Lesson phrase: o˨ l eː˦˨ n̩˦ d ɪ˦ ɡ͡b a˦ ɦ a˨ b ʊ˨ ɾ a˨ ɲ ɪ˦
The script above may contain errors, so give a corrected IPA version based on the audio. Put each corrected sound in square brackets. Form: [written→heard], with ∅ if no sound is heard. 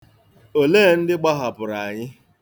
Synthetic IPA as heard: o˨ l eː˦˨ n̩˦ d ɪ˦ ɡ͡b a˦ ɦ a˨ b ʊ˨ ɾ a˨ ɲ ɪ˦